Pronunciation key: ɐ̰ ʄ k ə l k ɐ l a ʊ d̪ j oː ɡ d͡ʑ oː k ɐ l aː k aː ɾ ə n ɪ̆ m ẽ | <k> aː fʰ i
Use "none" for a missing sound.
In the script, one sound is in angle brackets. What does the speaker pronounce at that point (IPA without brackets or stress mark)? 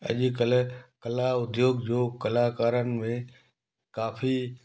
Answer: k